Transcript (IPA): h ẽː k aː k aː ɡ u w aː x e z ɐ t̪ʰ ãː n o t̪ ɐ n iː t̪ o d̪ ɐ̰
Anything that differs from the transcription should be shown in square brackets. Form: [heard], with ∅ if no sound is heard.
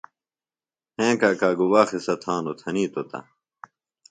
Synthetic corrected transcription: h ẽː k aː k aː ɡ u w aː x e [s] ɐ t̪ʰ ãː n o [t̪ʰ] ɐ n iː t̪ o [t̪] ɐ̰